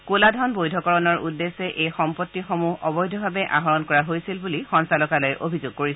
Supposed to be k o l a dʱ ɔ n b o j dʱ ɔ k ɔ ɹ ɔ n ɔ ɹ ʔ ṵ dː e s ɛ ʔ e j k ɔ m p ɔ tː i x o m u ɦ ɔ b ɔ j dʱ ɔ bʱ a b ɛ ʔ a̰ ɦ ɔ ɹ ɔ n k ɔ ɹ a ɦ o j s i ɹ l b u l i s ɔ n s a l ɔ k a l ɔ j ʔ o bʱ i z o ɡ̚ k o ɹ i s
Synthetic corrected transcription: k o l a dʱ ɔ n b o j dʱ ɔ k ɔ ɹ ɔ n ɔ ɹ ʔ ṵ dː e s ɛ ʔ e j x ɔ m p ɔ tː i x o m u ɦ ɔ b ɔ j dʱ ɔ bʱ a b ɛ ʔ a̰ ɦ ɔ ɹ ɔ n k ɔ ɹ a ɦ o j s i l b u l i x ɔ n s a l ɔ k a l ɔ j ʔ o bʱ i z o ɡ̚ k o ɹ i s